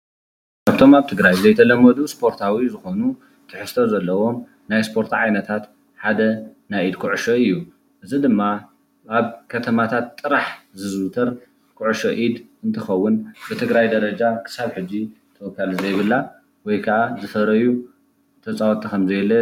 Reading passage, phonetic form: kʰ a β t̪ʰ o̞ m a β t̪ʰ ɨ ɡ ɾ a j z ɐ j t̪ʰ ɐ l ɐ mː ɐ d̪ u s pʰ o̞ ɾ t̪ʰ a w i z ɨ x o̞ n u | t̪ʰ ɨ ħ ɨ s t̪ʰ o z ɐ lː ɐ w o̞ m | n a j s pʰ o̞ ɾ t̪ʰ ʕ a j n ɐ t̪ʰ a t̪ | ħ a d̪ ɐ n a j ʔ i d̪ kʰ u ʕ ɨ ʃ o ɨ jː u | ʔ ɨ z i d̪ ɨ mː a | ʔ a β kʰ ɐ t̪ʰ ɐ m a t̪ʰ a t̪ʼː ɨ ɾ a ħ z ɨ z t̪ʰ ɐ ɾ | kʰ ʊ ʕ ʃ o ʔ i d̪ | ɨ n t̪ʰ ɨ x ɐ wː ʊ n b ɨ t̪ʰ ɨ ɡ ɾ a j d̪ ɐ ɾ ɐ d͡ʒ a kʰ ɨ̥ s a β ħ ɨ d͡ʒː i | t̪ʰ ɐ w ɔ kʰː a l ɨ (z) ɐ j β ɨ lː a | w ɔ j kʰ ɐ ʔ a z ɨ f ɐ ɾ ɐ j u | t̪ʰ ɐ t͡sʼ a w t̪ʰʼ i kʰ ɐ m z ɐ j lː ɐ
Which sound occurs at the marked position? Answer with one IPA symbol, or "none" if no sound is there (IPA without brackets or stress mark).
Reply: z